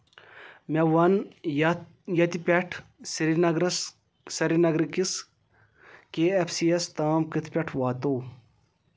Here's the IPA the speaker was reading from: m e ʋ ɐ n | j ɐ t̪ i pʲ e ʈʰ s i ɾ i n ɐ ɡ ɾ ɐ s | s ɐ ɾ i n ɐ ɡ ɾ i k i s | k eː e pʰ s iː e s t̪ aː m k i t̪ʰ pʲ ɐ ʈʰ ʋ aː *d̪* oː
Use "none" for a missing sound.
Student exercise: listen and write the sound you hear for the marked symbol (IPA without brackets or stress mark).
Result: t̪